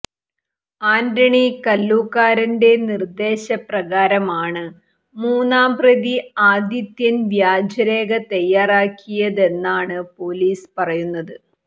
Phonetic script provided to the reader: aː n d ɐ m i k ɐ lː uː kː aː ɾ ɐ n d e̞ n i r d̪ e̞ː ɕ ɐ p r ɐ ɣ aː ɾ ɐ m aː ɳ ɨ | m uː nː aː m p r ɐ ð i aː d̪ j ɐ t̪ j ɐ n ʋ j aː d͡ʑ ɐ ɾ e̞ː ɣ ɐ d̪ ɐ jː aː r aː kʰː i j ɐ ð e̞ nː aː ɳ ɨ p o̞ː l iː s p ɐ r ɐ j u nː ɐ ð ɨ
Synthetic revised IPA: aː n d ɐ ɳ i k ɐ lː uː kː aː ɾ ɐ n d e̞ n i r d̪ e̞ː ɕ ɐ p r ɐ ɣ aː ɾ ɐ m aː ɳ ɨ | m uː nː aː m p r ɐ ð i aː d̪ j ɐ t̪ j ɐ n ʋ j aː d͡ʑ ɐ ɾ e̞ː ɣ ɐ t̪ ɐ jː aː r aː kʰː i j ɐ ð e̞ nː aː ɳ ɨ p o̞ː l iː s p ɐ r ɐ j u nː ɐ ð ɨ